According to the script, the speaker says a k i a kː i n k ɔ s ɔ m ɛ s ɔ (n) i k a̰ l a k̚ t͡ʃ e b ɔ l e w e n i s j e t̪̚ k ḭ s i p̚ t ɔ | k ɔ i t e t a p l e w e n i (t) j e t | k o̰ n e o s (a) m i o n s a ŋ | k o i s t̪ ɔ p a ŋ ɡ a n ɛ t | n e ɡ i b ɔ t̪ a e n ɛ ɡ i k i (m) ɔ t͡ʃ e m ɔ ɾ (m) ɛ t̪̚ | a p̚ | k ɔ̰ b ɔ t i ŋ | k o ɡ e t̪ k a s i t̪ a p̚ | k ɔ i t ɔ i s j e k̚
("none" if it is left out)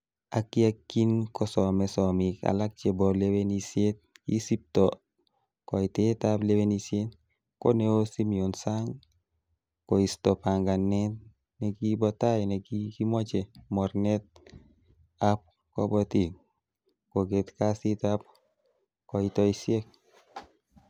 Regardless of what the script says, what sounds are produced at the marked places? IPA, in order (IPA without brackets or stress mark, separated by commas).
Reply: m, s, i, m, n